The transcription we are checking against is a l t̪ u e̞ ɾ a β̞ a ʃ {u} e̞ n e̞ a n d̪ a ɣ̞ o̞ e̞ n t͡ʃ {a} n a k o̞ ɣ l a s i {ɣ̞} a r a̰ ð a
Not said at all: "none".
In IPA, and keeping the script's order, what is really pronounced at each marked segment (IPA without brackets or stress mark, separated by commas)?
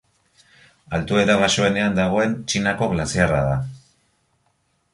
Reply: o, i, none